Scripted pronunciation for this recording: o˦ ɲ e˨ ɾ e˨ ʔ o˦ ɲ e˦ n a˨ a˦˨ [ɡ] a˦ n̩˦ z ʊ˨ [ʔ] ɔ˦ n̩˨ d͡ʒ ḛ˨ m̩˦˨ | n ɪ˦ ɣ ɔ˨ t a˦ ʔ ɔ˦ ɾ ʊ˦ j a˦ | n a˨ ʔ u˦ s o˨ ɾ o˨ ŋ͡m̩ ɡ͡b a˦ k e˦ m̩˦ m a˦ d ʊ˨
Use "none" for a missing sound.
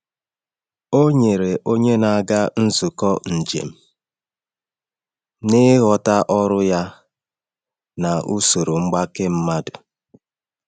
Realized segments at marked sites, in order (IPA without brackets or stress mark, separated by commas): ɡ, k